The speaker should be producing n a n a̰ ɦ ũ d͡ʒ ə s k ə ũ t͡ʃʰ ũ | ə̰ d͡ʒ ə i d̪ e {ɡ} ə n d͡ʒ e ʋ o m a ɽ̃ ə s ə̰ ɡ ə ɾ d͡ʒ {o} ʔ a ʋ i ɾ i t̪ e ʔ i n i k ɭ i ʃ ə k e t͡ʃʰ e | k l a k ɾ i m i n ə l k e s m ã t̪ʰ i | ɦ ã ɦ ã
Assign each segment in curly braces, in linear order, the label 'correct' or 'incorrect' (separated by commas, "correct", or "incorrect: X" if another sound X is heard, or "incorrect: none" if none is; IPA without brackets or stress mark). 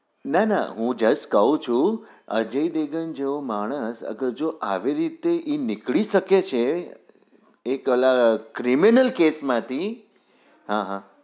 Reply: correct, correct